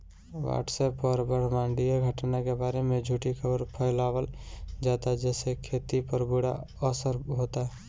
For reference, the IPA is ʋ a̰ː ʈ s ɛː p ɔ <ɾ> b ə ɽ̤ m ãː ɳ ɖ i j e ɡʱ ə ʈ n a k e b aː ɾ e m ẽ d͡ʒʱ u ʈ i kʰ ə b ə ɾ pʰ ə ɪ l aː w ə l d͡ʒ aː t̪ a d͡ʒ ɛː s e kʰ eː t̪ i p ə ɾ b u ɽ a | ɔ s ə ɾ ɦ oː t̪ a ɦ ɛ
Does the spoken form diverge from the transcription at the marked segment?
no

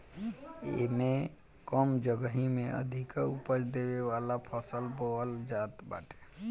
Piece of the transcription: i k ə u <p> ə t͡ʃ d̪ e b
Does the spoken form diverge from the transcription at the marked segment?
no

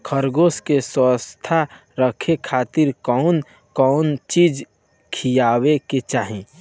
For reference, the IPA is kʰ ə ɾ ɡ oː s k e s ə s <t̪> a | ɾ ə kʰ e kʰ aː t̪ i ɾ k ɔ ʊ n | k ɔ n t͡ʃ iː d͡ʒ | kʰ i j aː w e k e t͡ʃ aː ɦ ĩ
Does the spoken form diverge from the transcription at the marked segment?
yes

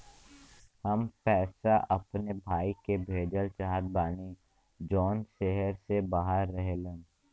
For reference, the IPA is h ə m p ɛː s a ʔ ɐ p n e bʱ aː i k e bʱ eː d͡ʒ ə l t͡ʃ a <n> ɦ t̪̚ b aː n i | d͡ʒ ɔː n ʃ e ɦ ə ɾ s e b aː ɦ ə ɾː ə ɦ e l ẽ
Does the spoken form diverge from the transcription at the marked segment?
yes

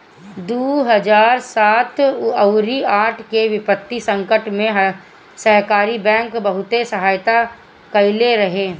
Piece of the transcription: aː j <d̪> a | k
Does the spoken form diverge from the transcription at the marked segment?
yes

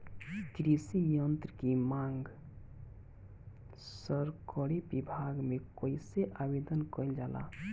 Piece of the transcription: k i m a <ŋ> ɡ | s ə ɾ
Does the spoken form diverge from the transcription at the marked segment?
no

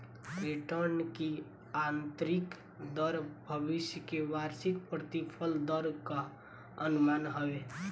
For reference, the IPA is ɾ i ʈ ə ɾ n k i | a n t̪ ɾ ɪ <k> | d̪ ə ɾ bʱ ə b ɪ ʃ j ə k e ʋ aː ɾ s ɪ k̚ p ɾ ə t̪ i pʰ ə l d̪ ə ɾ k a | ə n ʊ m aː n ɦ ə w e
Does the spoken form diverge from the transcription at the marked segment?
no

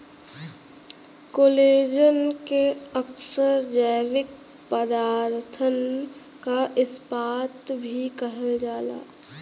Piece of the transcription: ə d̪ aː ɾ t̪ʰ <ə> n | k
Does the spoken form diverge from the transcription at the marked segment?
no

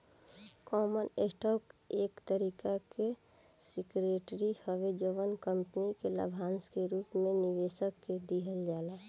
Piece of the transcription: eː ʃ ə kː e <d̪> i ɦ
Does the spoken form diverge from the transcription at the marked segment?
no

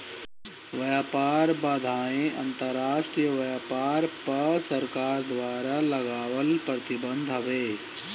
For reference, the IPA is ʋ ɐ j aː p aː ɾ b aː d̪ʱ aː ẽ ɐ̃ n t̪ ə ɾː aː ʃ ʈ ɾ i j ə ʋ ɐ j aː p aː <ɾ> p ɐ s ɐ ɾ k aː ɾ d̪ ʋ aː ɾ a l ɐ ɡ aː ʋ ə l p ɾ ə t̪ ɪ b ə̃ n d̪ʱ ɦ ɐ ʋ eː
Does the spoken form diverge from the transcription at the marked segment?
no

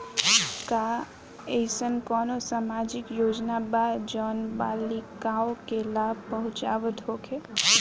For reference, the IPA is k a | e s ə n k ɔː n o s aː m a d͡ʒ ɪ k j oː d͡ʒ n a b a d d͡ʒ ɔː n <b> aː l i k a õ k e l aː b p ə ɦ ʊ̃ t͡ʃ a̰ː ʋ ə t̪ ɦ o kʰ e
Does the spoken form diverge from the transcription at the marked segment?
no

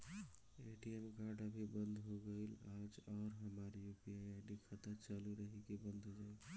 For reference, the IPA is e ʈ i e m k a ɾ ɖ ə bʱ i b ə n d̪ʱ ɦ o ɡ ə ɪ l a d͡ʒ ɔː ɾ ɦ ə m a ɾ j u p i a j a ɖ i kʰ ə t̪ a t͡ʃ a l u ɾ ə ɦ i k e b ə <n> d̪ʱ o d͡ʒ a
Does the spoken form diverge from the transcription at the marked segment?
no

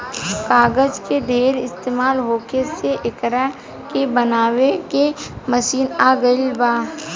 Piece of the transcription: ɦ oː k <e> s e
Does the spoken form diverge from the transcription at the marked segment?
no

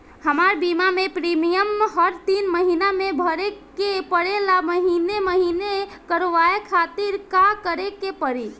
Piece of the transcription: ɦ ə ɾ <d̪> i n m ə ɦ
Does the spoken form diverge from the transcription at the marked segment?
yes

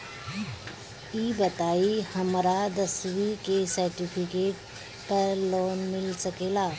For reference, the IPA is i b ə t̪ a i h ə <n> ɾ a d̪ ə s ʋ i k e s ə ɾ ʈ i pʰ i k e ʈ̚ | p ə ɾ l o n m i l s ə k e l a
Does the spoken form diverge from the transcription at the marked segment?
yes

